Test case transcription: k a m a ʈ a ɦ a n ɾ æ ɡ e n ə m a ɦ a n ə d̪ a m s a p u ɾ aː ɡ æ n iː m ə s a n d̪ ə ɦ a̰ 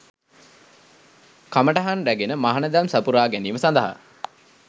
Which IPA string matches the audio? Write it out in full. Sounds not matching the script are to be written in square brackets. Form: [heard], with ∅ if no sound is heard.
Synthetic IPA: k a m [ə] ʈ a ɦ a n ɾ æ ɡ e n ə m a ɦ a n ə d̪ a m s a p u ɾ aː ɡ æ n iː m ə s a n d̪ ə ɦ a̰

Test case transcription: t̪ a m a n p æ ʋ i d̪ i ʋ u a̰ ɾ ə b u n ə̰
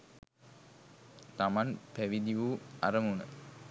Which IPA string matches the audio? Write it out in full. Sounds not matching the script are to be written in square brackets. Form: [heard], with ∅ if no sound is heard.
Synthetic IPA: t̪ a m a n p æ ʋ i d̪ i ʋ u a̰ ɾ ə [m] u n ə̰

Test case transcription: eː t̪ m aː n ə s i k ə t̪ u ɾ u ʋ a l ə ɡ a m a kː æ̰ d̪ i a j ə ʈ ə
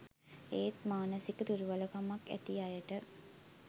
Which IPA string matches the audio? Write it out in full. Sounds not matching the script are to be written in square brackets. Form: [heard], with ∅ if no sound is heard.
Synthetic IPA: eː t̪ m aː n ə s i k ə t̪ u ɾ u ʋ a l ə [k] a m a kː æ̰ [t̪] i a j ə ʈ ə

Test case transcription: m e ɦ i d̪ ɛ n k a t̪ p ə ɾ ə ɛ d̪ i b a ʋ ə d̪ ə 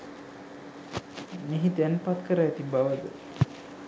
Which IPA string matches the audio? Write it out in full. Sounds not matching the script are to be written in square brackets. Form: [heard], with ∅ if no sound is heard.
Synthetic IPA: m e ɦ i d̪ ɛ n [p] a t̪ [k] ə ɾ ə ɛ [t̪] i b a ʋ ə d̪ ə

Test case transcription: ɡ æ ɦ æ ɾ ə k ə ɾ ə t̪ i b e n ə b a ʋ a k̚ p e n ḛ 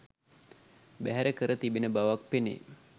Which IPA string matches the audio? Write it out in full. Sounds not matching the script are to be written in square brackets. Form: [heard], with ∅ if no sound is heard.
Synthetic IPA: [b] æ ɦ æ ɾ ə k ə ɾ ə t̪ i b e n ə b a ʋ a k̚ p e n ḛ

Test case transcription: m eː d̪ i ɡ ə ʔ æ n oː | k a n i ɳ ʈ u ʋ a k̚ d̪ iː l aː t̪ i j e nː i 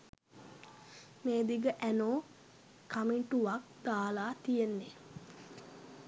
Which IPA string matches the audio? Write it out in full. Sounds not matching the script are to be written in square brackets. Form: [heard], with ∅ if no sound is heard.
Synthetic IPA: m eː d̪ i ɡ ə ʔ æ n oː | k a [m] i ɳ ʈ u ʋ a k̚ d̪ [aː] l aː t̪ i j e nː [e]

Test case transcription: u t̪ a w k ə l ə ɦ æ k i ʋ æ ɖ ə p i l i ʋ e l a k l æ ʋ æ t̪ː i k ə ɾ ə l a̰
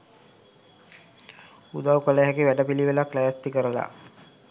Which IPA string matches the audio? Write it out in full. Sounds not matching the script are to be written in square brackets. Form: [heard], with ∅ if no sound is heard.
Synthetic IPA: u [d̪] a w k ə l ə ɦ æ k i ʋ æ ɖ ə p i l i ʋ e l a k l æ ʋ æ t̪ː i k ə ɾ ə l a̰

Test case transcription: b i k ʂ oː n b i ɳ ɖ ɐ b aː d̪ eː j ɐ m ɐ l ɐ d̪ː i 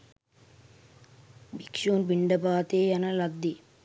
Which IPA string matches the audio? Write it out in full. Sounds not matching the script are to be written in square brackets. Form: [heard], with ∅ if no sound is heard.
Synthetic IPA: b i k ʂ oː n b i ɳ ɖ ɐ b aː [t̪] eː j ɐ [n] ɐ l ɐ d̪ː i

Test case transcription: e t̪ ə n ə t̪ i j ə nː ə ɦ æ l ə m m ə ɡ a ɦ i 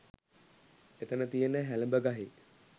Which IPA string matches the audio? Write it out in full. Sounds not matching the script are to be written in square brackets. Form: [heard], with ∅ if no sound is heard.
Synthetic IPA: e t̪ ə n ə t̪ i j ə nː ə ɦ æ l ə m [b] ə ɡ a ɦ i

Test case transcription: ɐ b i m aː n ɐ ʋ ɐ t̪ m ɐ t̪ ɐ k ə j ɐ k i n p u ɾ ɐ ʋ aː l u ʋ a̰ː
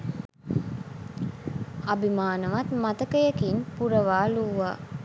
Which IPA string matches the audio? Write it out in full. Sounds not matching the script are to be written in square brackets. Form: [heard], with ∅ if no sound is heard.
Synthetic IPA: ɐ b i m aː n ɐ ʋ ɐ t̪ m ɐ t̪ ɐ k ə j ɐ k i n p u ɾ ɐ ʋ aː l u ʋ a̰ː

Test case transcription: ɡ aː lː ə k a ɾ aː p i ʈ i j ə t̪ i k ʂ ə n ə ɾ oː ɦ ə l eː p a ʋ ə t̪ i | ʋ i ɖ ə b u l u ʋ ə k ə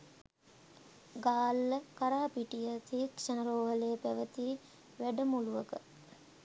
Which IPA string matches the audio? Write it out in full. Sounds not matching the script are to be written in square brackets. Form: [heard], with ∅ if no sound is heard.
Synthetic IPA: ɡ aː lː ə k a ɾ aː p i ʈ i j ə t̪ i k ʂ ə n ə ɾ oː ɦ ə l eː p [æ] ʋ ə t̪ i | ʋ [æ] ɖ ə [m] u l u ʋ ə k ə

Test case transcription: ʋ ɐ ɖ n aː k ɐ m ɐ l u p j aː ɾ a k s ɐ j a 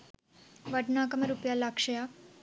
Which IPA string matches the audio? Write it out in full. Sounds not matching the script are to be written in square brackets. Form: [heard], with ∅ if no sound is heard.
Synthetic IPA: ʋ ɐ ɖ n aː k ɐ m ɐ [ɾ] u p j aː [l] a k [ʂ] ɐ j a

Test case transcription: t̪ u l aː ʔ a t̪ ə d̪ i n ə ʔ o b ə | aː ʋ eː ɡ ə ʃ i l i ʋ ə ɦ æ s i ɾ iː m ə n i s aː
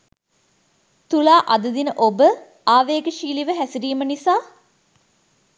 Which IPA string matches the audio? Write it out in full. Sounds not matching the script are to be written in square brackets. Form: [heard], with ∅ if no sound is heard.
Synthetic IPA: t̪ u l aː ʔ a [d̪] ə d̪ i n ə ʔ o b ə | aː ʋ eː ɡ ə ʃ [iː] l i ʋ ə ɦ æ s i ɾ iː m ə n i s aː

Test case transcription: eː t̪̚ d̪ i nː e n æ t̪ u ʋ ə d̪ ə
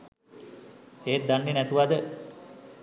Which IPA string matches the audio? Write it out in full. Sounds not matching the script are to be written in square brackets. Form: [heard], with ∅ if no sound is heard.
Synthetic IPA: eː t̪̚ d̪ [a] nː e n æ t̪ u ʋ [a] d̪ ə

